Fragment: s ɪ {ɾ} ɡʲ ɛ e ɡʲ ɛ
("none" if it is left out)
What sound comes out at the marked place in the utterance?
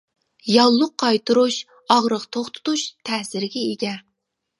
ɾ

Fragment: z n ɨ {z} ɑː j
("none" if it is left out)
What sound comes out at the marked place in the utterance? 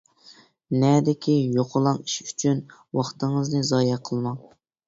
z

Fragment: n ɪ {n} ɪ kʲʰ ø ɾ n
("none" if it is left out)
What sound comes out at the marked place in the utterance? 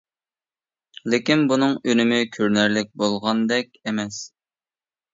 m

